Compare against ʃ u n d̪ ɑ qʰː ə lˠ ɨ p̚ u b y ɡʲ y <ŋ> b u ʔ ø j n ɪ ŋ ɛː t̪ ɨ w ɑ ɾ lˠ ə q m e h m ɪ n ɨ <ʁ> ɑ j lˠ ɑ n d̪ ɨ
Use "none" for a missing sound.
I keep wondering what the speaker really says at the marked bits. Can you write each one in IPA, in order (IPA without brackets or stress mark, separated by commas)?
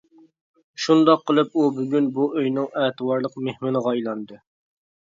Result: n, ʁ